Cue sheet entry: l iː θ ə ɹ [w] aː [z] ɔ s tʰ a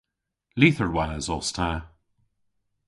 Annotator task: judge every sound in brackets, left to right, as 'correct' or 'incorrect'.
correct, correct

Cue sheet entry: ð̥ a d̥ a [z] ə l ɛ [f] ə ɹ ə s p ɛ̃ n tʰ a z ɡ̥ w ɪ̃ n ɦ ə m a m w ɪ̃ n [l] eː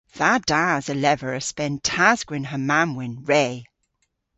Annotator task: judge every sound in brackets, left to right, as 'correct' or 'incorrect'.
correct, incorrect: v, incorrect: ɹ

